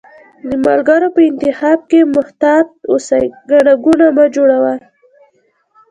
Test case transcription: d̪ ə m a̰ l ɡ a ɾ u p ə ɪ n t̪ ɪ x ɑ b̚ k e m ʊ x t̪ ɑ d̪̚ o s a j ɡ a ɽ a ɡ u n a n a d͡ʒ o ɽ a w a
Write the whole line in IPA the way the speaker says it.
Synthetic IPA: d̪ ə m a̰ l ɡ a ɾ o p ə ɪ n t̪ ɪ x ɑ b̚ k e m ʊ h t̪ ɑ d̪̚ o s a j ɡ a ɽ a ɡ u n a m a d͡ʒ o ɽ a w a